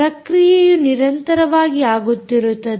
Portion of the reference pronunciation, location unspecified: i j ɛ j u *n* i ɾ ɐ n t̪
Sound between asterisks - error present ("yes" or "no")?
no